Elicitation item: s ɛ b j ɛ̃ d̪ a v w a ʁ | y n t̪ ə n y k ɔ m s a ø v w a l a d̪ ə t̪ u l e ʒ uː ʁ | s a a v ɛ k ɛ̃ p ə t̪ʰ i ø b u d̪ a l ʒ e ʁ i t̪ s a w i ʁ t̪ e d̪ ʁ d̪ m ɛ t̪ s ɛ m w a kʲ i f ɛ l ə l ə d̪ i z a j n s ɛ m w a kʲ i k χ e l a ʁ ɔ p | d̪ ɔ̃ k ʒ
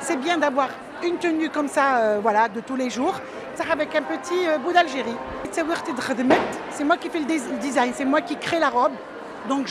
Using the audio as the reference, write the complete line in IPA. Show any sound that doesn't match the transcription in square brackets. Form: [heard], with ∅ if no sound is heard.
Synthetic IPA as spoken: s ɛ b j ɛ̃ d̪ a v w a ʁ | y n t̪ ə n y k ɔ m s a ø v w a l a d̪ ə t̪ u l e ʒ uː ʁ | s a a v ɛ k ɛ̃ p ə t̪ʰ i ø b u d̪ a l ʒ e ʁ i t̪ s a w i ʁ t̪ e d̪ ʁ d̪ m ɛ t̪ s ɛ m w a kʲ i f ɛ l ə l ə d̪ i z a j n s ɛ m w a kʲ i k χ e l a ʁ ɔ [b] | d̪ ɔ̃ k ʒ